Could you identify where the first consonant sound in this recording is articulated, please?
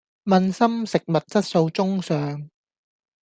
labial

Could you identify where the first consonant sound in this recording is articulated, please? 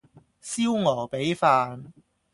alveolar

